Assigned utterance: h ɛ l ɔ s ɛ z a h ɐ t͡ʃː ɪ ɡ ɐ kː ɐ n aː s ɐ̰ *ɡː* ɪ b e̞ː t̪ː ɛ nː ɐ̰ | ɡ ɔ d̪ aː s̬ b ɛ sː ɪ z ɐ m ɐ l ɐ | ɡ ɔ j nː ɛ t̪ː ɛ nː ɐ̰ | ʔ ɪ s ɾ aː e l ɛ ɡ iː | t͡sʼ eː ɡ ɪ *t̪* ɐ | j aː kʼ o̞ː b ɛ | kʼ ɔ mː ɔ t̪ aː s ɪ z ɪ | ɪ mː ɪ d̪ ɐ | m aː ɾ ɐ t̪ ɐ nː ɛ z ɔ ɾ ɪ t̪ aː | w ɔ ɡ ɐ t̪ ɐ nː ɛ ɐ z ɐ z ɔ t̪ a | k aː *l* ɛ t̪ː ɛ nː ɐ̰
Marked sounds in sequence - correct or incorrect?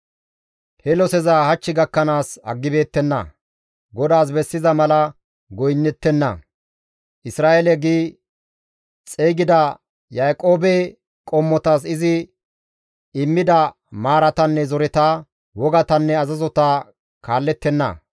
correct, incorrect: d̪, incorrect: lː

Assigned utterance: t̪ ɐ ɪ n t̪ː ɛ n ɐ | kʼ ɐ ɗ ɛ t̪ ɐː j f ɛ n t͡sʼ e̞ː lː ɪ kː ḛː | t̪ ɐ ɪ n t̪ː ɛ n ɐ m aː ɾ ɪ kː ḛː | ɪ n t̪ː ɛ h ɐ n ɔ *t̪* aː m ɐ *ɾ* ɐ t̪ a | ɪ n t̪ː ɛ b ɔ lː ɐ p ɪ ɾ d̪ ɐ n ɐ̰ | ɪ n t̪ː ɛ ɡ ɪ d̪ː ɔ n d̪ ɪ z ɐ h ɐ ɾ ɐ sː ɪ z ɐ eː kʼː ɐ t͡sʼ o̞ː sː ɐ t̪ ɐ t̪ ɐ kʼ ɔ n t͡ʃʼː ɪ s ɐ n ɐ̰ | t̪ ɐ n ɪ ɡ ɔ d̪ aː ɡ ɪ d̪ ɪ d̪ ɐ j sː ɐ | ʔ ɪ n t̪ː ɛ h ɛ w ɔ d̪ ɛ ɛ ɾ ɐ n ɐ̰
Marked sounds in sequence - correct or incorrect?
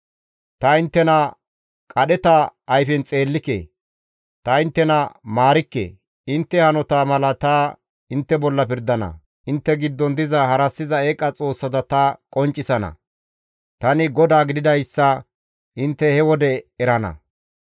correct, incorrect: l

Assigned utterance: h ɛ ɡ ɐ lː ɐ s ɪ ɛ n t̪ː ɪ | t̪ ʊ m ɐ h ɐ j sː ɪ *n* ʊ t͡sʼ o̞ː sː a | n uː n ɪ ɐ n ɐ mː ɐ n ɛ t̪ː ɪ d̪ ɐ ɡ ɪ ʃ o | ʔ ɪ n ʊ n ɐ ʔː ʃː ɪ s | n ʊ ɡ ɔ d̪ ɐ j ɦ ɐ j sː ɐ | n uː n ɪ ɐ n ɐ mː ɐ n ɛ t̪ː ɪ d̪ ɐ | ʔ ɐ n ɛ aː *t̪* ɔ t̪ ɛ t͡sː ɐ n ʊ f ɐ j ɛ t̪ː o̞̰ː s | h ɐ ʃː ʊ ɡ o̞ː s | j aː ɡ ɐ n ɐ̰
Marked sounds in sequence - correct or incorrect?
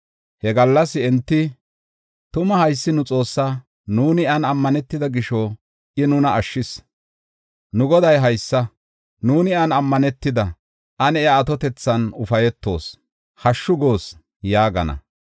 correct, correct

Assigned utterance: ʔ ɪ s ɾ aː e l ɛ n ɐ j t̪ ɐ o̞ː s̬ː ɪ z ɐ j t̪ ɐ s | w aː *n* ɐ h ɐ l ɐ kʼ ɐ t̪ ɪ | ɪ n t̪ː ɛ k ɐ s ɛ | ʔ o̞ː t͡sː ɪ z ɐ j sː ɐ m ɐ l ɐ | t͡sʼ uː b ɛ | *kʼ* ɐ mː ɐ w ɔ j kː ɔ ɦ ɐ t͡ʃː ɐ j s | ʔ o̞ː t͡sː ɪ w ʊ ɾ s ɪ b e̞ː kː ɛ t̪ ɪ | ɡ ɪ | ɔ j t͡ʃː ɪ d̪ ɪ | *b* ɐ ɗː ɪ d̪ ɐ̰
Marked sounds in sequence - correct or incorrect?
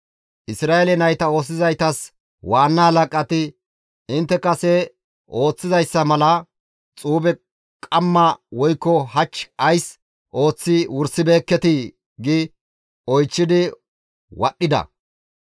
incorrect: nː, correct, incorrect: w

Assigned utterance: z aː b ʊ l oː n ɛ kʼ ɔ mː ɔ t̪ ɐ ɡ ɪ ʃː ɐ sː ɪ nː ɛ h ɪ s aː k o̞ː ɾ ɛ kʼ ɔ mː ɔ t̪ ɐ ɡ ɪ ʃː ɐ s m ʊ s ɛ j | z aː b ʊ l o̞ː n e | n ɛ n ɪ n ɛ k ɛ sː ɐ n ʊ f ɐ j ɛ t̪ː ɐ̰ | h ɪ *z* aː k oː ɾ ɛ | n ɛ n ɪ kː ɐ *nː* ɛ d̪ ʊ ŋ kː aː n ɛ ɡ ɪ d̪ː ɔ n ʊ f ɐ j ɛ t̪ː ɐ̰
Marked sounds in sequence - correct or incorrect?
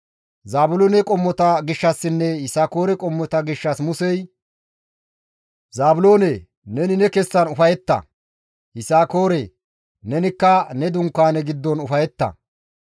incorrect: s, incorrect: n

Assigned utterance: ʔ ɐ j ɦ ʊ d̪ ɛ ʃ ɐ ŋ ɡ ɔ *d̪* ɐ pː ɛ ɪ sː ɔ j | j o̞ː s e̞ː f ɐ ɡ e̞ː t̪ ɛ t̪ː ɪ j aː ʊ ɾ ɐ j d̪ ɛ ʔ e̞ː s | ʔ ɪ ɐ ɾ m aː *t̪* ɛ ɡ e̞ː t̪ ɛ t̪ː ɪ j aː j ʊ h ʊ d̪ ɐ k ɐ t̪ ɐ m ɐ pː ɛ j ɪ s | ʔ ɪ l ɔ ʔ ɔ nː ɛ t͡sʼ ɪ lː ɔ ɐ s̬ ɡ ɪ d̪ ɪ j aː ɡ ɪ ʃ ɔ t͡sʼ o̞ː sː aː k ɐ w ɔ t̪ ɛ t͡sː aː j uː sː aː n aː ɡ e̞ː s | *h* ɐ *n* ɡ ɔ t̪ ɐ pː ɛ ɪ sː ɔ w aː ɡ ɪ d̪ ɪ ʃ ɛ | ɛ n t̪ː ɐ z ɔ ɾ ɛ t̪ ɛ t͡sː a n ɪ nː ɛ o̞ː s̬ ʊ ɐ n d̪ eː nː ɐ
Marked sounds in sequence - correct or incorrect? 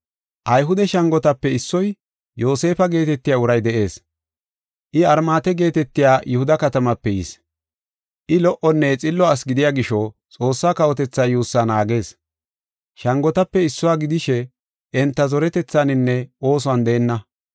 incorrect: t̪, correct, incorrect: ʃ, incorrect: ŋ

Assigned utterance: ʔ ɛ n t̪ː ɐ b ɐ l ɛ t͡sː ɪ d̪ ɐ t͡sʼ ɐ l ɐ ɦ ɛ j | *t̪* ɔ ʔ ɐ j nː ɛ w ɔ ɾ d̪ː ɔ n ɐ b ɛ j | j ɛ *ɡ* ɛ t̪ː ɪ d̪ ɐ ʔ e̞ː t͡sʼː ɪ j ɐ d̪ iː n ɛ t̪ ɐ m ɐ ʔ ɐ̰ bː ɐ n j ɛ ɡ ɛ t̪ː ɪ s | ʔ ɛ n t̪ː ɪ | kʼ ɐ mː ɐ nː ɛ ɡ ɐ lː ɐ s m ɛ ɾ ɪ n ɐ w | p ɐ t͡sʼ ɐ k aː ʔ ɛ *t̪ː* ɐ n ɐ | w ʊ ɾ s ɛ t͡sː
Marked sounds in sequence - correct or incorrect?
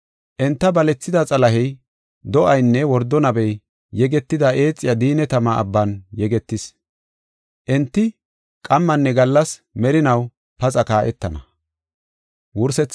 incorrect: d̪, correct, correct

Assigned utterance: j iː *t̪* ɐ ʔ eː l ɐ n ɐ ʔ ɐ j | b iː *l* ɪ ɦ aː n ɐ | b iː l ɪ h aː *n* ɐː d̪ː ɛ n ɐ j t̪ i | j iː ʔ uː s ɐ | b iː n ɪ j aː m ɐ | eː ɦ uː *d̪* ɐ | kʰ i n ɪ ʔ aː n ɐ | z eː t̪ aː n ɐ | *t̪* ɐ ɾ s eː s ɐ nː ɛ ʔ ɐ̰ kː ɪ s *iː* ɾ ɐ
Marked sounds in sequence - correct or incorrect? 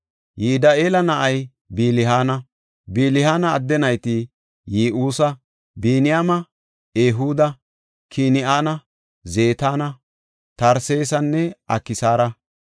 incorrect: d̪, correct, correct, correct, correct, incorrect: aː

